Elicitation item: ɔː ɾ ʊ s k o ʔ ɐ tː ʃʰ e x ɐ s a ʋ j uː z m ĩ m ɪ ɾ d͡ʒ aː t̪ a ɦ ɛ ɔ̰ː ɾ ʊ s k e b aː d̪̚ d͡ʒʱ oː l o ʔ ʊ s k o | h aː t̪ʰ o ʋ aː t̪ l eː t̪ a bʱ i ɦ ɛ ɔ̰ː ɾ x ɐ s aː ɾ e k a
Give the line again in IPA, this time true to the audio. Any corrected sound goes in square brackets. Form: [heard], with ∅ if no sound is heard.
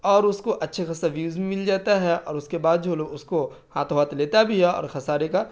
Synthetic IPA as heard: ɔː ɾ ʊ s k o ʔ ɐ tː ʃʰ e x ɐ s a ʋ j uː z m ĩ m ɪ [l] d͡ʒ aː t̪ a ɦ ɛ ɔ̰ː ɾ ʊ s k e b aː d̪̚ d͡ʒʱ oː l o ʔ ʊ s k o | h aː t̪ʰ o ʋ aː t̪ l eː t̪ a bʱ i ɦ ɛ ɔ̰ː ɾ x ɐ s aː ɾ e k a